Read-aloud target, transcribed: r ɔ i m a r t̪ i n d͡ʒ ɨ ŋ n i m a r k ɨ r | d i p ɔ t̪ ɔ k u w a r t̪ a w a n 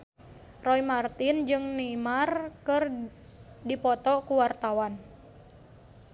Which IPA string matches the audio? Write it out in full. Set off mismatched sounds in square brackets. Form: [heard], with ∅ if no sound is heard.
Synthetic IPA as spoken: r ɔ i m a r t̪ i n d͡ʒ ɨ ŋ n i m a r k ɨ r | d i p ɔ t̪ ɔ k u w a r t̪ a w a n